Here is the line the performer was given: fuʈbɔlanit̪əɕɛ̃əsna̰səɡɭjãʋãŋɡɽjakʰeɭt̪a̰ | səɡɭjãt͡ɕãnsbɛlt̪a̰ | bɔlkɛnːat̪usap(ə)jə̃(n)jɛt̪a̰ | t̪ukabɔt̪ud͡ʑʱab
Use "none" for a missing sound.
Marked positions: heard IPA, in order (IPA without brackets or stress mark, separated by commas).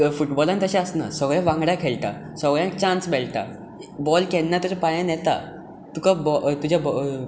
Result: a, n